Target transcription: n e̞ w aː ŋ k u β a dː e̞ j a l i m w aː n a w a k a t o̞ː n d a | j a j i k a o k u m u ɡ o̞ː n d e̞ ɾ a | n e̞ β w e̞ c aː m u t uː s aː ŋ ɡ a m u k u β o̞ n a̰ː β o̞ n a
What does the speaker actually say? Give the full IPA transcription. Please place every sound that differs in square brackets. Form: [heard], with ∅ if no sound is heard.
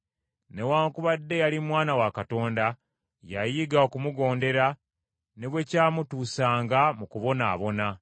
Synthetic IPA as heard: n e̞ w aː ŋ k u β a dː e̞ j a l i m w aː n a w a k a t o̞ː n d a | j a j i [ɡ] a o k u m u ɡ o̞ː n d e̞ ɾ a | n e̞ β w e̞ c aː m u t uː s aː ŋ ɡ a m u k u β o̞ n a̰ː β o̞ n a

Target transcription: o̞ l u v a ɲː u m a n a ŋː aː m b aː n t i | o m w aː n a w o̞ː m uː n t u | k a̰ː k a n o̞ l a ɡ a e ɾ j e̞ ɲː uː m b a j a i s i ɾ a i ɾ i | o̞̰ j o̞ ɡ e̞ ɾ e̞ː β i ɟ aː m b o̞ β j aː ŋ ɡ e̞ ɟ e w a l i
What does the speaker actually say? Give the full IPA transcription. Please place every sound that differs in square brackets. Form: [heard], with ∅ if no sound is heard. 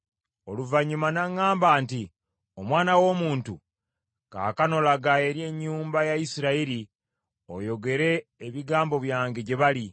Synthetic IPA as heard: o̞ l u v a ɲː u m a n a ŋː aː m b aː n t i | o m w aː n a w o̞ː m uː n t u | k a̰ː k a n o̞ l a ɡ a e ɾ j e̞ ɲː uː m b a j a i s i ɾ a i ɾ i | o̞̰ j o̞ ɡ e̞ ɾ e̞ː β i [ɡ] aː m b o̞ β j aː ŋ ɡ e̞ ɟ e [β] a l i

